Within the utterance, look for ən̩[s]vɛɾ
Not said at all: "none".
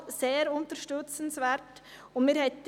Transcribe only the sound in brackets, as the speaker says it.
s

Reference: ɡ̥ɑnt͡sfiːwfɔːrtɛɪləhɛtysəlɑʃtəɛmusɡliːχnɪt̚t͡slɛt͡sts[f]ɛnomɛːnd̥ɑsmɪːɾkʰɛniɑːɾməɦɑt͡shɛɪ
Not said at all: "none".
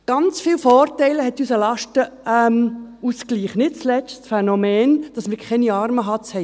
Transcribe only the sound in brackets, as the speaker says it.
f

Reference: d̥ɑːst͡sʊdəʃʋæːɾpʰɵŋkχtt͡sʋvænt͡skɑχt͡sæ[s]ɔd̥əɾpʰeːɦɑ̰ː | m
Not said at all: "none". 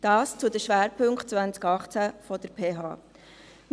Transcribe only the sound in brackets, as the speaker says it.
f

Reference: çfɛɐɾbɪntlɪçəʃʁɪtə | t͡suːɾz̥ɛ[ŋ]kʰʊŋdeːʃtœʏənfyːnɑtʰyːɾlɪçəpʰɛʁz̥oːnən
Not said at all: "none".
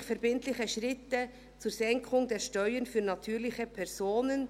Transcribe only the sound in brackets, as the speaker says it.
ŋ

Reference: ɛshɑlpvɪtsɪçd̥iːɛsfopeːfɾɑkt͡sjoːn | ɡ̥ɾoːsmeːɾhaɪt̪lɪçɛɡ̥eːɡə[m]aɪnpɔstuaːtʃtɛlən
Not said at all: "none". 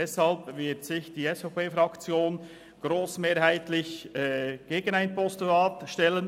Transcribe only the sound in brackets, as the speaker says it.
n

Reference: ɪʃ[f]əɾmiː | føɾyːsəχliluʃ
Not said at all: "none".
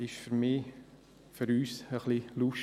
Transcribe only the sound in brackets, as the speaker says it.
f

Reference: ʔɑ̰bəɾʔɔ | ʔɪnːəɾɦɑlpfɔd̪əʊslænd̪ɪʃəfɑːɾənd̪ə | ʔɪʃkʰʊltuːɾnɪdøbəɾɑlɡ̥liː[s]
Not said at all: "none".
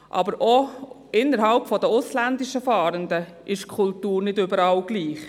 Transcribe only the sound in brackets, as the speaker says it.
χ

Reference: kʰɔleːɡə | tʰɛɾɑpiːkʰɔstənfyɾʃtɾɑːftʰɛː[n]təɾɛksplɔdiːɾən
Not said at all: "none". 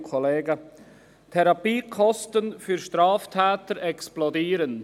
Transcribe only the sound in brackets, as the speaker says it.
none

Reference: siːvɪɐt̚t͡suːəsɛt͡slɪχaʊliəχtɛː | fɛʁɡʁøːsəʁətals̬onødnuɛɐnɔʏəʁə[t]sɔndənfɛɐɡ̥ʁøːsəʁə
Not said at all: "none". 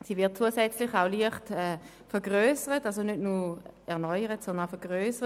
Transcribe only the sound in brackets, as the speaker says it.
t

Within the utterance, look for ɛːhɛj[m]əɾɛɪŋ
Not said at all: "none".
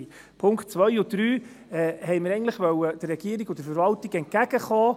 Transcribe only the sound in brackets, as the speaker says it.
m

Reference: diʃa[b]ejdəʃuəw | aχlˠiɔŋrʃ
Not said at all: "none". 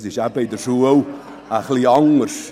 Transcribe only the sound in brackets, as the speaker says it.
b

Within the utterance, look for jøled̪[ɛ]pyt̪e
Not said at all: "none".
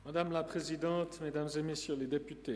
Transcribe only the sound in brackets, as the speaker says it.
e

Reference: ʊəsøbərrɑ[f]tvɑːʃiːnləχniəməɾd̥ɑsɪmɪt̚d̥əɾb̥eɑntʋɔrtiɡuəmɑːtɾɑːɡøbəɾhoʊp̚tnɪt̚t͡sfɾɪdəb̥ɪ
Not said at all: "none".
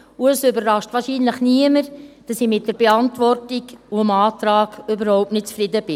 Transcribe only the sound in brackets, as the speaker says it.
ʃ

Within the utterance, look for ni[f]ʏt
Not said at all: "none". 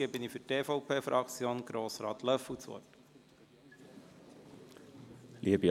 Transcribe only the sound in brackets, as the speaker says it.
f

